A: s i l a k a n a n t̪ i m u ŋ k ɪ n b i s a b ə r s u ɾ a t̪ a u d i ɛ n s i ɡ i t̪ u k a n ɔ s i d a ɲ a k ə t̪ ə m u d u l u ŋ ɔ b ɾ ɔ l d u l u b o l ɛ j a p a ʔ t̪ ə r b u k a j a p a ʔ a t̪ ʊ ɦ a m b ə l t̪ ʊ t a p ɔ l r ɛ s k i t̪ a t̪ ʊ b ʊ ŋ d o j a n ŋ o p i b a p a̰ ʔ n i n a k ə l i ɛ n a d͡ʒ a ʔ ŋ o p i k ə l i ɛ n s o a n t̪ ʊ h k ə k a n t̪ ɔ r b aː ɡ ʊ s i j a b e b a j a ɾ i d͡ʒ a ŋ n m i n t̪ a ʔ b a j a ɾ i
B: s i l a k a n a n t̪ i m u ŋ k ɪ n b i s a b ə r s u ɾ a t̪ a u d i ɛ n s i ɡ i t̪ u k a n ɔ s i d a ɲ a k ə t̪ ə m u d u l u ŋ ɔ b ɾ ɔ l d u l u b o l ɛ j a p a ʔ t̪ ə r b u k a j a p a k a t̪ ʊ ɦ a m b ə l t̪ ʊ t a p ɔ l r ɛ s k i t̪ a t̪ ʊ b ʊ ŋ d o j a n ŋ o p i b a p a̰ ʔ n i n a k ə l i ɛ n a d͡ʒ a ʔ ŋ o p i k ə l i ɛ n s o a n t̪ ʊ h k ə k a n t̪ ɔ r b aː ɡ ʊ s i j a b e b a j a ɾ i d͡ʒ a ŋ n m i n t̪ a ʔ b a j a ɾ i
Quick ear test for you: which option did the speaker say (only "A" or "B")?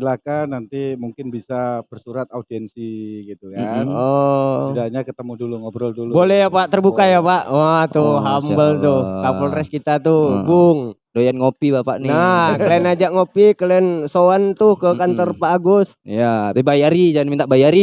A